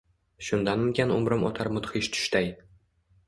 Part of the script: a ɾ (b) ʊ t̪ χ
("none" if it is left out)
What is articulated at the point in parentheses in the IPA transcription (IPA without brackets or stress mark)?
m